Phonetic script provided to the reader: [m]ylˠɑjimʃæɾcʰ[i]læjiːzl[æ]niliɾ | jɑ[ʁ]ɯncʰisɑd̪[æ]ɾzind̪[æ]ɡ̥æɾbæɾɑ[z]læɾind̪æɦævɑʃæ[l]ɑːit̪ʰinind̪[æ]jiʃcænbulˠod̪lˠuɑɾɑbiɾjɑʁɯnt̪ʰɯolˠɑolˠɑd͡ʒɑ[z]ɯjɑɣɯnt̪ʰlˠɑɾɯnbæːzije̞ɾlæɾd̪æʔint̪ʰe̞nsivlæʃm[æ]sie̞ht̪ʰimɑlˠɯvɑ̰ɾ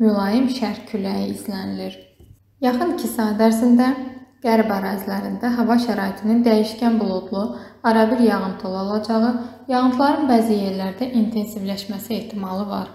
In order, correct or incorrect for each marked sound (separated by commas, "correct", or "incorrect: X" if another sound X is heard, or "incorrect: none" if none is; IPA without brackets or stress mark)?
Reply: correct, incorrect: y, correct, incorrect: χ, correct, correct, correct, incorrect: ɾ, correct, incorrect: ʁ, correct